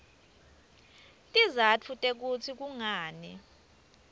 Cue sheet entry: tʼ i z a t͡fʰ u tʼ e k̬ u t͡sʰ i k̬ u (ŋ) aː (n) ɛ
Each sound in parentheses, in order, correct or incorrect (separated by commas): correct, correct